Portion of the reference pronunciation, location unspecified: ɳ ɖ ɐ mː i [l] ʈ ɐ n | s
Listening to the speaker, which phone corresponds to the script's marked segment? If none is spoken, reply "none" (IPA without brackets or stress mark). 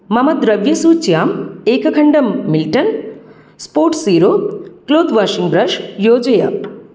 l